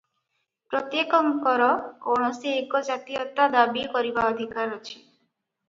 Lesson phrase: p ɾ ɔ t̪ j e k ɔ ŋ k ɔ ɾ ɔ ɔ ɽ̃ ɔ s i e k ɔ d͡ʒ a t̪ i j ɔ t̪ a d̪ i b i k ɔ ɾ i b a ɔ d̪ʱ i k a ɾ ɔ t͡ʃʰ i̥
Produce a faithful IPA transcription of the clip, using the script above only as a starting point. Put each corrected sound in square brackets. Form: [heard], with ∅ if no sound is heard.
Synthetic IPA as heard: p ɾ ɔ t̪ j e k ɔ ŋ k ɔ ɾ ɔ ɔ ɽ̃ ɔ s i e k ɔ d͡ʒ a t̪ i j ɔ t̪ a d̪ [a] b i k ɔ ɾ i b a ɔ d̪ʱ i k a ɾ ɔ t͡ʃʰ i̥